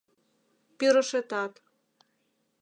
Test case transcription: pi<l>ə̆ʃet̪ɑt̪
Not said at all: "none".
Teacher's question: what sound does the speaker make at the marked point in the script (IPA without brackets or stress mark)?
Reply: ɾ